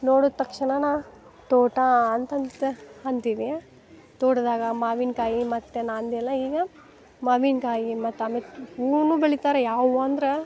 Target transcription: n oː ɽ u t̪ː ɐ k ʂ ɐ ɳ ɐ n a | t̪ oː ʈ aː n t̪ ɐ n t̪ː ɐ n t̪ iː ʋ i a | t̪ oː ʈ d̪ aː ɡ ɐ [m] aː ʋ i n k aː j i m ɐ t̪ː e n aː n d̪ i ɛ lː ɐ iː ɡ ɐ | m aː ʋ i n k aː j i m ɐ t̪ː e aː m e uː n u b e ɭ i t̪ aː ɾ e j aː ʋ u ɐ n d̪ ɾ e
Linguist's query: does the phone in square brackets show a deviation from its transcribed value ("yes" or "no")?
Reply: no